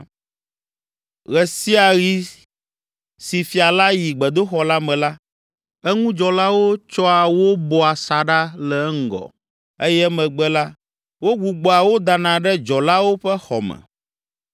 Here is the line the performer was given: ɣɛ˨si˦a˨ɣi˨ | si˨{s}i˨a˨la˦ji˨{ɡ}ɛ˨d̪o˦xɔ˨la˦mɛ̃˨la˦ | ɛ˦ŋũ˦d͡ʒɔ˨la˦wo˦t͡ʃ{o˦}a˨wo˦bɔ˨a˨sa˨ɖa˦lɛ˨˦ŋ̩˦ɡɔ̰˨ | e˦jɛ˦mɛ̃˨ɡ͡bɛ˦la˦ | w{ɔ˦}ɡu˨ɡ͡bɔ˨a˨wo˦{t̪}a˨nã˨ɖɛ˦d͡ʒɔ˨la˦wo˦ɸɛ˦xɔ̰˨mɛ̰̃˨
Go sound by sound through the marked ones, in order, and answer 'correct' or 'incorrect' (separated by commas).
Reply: incorrect, incorrect, incorrect, incorrect, incorrect